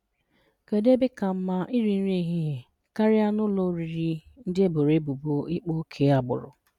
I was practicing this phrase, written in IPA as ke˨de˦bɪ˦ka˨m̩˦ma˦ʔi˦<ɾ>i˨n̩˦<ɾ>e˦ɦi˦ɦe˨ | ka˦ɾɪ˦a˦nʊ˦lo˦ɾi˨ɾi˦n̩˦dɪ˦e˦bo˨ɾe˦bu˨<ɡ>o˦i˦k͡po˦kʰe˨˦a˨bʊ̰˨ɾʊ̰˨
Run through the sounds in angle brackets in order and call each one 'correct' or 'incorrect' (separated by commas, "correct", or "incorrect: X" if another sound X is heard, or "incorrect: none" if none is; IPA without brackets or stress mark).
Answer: correct, correct, incorrect: b